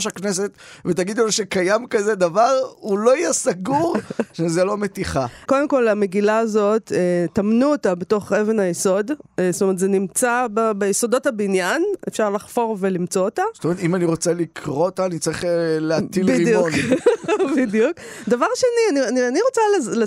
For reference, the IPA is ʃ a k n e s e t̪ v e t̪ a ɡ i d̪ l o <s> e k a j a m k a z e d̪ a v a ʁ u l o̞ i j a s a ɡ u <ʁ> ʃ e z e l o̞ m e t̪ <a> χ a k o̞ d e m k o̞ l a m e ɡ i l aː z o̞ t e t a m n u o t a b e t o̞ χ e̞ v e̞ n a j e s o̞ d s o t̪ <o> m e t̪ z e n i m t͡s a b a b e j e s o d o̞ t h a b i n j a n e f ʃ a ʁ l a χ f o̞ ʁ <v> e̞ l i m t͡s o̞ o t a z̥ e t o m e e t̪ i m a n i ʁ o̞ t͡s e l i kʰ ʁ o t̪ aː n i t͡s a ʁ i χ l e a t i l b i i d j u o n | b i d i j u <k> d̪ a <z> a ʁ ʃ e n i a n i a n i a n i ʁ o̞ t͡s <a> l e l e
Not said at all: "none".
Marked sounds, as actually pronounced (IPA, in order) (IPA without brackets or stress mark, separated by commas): ʃ, ʁ, i, o, v, k, v, a